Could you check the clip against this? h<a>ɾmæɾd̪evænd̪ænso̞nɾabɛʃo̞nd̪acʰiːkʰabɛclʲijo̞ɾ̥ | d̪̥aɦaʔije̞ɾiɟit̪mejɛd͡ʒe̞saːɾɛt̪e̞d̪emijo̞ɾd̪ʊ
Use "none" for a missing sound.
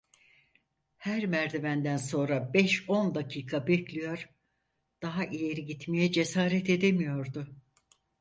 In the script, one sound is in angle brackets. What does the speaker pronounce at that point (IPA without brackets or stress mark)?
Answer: æ